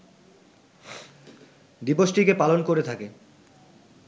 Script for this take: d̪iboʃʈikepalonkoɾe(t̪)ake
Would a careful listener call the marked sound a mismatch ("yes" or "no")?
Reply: yes